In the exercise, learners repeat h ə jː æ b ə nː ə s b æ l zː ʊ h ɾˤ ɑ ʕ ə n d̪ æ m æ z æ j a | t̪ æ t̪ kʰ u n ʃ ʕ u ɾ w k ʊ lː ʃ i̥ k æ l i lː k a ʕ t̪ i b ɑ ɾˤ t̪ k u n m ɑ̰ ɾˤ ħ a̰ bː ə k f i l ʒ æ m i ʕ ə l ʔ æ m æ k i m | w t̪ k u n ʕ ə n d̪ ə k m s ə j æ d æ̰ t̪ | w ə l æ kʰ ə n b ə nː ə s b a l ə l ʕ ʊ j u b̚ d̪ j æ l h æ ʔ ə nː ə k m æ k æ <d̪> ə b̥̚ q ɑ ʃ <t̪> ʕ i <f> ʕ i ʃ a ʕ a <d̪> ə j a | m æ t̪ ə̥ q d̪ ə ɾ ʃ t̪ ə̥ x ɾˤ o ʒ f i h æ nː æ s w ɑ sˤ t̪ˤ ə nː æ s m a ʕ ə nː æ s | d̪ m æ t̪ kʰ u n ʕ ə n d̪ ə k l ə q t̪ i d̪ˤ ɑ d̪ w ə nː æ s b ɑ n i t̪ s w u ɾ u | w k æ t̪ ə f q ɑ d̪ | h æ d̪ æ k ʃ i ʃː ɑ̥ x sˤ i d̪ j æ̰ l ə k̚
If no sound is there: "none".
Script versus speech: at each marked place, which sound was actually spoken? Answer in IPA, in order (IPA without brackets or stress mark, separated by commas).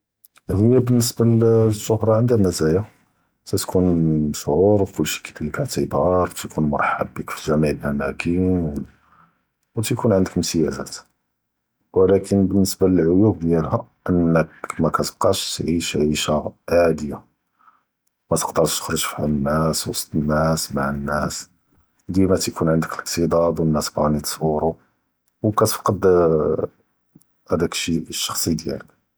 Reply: t̪, t̪, ʃ, d̪